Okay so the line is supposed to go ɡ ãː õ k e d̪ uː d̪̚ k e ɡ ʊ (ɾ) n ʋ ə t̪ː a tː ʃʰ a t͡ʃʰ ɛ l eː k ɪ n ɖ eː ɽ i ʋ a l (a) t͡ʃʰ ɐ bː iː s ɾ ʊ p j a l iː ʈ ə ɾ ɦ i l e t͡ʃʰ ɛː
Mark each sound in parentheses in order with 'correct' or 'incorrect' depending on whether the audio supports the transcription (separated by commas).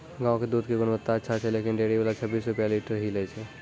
incorrect, correct